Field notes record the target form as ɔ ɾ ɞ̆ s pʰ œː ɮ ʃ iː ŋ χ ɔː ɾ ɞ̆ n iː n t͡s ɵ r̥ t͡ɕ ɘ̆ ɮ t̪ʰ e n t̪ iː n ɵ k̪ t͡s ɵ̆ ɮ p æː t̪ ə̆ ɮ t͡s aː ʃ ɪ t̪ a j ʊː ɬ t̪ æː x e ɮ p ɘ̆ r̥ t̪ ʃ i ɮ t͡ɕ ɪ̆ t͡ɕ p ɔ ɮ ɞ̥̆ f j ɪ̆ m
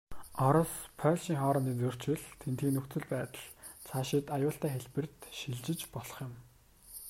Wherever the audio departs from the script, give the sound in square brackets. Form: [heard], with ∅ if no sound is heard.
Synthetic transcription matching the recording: ɔ ɾ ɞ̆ s pʰ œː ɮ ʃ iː ŋ χ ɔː ɾ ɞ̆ n iː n t͡s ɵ r̥ t͡ɕ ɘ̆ ɮ t̪ʰ e n t̪ iː n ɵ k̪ t͡s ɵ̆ ɮ p æː t̪ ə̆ ɮ [t͡sʰ] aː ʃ ɪ t̪ a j ʊː ɬ t̪ æː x e ɮ p ɘ̆ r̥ t̪ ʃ i ɮ t͡ɕ ɪ̆ t͡ɕ p ɔ ɮ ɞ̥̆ [χ] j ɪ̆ m